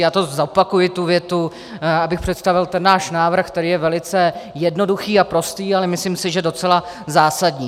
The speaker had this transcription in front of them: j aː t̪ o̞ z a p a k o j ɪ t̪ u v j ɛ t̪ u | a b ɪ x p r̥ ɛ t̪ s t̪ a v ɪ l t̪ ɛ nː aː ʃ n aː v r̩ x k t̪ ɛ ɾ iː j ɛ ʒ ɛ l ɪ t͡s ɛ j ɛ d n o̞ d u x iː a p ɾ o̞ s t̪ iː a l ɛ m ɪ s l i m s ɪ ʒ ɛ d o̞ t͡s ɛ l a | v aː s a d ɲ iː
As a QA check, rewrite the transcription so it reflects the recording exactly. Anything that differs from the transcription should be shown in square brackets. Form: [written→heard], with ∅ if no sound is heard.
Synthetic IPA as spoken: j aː t̪ o̞ z a p a k [o→u] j ɪ t̪ u v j ɛ t̪ u | a b ɪ x p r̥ ɛ t̪ s t̪ a v ɪ l t̪ ɛ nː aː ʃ n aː v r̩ x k t̪ ɛ ɾ iː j ɛ [ʒ→v] ɛ l ɪ t͡s ɛ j ɛ d n o̞ d u x iː a p ɾ o̞ s t̪ iː a l ɛ m ɪ s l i m s ɪ ʒ ɛ d o̞ t͡s ɛ l a | [v→z] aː s a d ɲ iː